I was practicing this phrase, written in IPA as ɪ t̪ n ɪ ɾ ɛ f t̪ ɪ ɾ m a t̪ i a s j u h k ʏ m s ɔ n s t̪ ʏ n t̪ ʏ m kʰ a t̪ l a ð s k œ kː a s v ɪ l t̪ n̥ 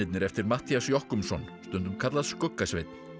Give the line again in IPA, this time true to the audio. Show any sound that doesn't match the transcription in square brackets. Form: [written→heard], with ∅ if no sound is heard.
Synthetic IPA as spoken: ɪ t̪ n ɪ ɾ ɛ f t̪ ɪ ɾ m a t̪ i a s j [u→ɔ] h k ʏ m s ɔ n s t̪ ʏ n t̪ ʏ m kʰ a t̪ l a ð s k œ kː a s v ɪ [l→∅] t̪ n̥